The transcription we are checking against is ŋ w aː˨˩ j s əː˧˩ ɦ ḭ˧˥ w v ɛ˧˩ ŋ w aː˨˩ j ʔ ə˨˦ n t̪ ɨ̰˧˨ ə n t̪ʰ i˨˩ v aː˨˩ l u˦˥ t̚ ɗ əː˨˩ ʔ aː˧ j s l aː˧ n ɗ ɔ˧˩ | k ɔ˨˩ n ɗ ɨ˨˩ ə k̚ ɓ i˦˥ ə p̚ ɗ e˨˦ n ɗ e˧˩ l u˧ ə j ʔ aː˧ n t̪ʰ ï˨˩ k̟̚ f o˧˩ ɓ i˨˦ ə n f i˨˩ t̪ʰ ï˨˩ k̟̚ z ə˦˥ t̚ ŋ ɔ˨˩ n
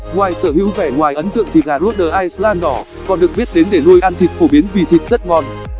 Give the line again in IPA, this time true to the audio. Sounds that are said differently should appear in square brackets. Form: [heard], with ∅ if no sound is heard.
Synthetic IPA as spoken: ŋ w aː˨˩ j s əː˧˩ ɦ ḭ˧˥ w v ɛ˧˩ ŋ w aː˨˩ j ʔ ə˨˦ n t̪ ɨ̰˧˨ ə [ŋ] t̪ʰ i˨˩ [ɣ] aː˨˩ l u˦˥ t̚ ɗ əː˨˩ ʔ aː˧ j s l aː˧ n ɗ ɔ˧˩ | k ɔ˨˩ n ɗ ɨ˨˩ ə k̚ ɓ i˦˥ ə [t̚] ɗ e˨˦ n ɗ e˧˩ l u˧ ə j ʔ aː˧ n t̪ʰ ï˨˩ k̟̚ f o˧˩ ɓ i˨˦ ə n [v] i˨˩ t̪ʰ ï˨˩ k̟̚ z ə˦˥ t̚ ŋ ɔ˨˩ n